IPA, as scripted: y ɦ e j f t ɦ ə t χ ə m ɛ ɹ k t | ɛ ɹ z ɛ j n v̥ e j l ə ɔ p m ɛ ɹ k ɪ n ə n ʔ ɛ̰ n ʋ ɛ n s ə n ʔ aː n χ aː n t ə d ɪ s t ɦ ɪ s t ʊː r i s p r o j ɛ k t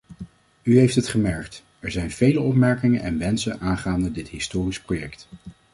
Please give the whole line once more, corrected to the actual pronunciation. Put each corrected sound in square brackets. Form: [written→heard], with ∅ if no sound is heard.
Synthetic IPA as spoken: y ɦ e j f t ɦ ə t χ ə m ɛ ɹ k t | ɛ ɹ z ɛ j n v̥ e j l ə ɔ p m ɛ ɹ k ɪ [n→ŋ] ə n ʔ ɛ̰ n ʋ ɛ n s ə n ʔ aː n χ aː n [t→d] ə d ɪ [s→∅] t ɦ ɪ s t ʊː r i s p r o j ɛ k t